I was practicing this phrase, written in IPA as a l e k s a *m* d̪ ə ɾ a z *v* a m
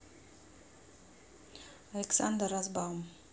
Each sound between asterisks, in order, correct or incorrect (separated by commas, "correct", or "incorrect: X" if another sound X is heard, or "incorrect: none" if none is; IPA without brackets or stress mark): incorrect: n, incorrect: b